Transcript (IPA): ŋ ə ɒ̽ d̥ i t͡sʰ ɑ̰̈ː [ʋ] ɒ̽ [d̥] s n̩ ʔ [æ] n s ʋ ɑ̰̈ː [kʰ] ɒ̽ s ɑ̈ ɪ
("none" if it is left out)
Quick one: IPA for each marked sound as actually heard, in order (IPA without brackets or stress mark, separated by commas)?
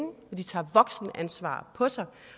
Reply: ʋ, ɡ̥, æ, pʰ